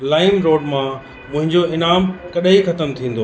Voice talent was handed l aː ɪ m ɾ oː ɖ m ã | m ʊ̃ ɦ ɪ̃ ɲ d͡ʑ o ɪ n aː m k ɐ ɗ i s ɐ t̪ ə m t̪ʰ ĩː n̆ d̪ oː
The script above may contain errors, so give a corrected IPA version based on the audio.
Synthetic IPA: l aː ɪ m ɾ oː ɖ m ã | m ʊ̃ ɦ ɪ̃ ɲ d͡ʑ o ɪ n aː m k ɐ ɗ i x ɐ t̪ ə m t̪ʰ ĩː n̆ d̪ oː

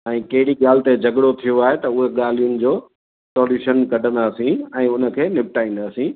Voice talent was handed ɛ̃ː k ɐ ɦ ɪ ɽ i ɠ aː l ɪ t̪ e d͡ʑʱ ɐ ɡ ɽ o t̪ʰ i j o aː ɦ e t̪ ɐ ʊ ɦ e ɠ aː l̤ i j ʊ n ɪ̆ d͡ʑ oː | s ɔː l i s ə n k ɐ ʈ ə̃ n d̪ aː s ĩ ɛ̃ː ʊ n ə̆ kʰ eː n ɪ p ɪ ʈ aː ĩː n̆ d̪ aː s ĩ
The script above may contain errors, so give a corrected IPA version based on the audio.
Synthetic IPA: ɛ̃ː k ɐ ɦ ɪ ɽ i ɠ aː l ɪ t̪ e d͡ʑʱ ɐ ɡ ɽ o t̪ʰ i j o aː ɦ e t̪ ɐ ʊ ɦ e ɠ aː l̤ i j ʊ n ɪ̆ d͡ʑ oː | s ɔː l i ʃ ə n k ɐ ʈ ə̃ n d̪ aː s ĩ ɛ̃ː ʊ n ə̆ kʰ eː n ɪ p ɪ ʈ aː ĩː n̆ d̪ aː s ĩ

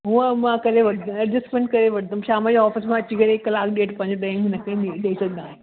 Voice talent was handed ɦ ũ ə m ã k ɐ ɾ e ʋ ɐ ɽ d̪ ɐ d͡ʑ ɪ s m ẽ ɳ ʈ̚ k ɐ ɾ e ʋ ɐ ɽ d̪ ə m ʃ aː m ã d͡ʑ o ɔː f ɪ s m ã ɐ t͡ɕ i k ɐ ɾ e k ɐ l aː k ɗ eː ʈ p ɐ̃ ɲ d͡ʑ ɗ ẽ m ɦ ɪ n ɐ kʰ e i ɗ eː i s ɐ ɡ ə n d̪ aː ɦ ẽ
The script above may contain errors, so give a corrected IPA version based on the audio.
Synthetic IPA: ɦ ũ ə m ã k ɐ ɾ e ʋ ɐ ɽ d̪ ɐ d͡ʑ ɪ s m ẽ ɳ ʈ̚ k ɐ ɾ e ʋ ɐ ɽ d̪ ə m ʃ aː m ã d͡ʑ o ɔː f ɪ s m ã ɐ t͡ɕ i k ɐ ɾ e k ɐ l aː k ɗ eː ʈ p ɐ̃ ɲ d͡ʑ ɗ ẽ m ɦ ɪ n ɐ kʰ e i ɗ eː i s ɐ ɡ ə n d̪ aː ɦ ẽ

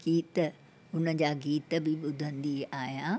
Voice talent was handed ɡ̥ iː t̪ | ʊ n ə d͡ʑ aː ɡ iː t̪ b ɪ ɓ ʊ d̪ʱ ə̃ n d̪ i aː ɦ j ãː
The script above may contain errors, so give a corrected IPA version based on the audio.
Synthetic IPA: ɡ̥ iː t̪ | ʊ n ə d͡ʑ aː ɡ iː t̪ b ɪ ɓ ʊ d̪ʱ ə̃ n d̪ i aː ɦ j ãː

